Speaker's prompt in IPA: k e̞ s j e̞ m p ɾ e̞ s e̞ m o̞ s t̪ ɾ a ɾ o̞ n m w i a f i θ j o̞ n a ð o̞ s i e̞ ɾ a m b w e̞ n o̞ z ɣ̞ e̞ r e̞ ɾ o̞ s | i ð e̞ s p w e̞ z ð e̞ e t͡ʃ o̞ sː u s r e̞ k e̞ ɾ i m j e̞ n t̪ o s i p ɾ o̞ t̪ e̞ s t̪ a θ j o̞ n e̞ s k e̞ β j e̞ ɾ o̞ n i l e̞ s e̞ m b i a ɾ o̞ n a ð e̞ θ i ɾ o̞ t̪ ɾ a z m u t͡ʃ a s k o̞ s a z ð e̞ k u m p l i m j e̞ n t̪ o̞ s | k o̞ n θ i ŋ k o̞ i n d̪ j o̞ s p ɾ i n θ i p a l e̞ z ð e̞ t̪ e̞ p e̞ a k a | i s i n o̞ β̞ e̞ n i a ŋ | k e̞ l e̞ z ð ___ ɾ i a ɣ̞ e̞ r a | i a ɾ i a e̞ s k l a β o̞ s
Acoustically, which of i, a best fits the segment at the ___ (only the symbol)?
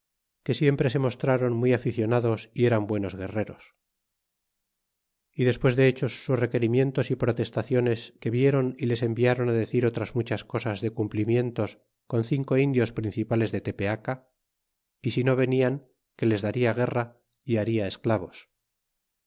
a